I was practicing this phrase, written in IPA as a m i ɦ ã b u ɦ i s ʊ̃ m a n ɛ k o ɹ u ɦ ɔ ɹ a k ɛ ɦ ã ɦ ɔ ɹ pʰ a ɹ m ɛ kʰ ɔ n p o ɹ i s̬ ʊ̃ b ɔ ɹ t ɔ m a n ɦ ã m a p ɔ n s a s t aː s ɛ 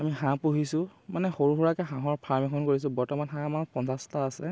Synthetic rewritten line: a m i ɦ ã p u ɦ i s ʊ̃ m a n ɛ x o ɹ u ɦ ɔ ɹ a k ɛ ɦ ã ɦ ɔ ɹ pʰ a ɹ m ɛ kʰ ɔ n k o ɹ i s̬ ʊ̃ b ɔ ɹ t ɔ m a n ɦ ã m a p ɔ n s a s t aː s ɛ